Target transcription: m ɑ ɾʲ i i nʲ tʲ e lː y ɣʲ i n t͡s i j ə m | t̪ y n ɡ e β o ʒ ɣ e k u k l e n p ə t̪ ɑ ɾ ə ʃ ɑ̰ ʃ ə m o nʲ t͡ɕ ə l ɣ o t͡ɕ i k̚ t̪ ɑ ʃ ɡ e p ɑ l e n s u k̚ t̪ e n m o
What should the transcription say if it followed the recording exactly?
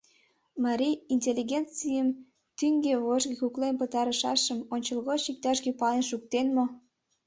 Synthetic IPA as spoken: m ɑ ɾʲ i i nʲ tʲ e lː i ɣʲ e n t͡s i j ə m | t̪ y ŋ ɡ e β o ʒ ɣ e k u k l e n p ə t̪ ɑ ɾ ə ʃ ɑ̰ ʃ ə m o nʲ t͡ɕ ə l ɣ o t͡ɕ i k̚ t̪ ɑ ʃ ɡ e p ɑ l e n ʃ u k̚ t̪ e n m o